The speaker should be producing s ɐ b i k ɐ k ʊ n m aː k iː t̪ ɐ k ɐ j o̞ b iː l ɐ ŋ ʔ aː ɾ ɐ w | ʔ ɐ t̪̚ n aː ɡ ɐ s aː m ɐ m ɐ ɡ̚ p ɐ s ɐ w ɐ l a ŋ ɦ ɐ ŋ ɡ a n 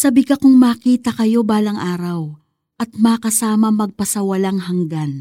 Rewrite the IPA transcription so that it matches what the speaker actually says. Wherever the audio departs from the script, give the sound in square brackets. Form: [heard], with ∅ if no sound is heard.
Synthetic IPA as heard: s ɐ b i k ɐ k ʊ [ŋ] m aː k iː t̪ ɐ k ɐ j o̞ b [aː] l ɐ ŋ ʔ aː ɾ ɐ w | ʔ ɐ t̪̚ [m] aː [k] ɐ s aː m ɐ m ɐ ɡ̚ p ɐ s ɐ w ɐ l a ŋ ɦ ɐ ŋ ɡ a n